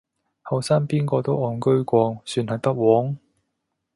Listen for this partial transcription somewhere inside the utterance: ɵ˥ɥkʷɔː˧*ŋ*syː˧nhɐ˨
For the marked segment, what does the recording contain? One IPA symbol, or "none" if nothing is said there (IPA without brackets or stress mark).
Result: ŋ